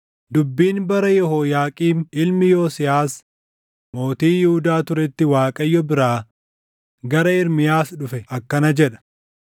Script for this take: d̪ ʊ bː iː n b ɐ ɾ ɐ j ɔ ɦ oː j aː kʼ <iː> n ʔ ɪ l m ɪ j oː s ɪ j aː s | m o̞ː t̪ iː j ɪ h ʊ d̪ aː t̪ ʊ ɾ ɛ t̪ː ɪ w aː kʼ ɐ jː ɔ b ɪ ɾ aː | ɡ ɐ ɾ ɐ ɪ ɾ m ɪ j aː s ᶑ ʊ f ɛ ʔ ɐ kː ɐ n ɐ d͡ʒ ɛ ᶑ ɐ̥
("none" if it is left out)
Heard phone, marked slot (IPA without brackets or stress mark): iː